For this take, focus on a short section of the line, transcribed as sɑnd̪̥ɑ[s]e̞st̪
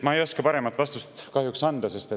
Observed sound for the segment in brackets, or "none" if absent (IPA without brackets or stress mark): s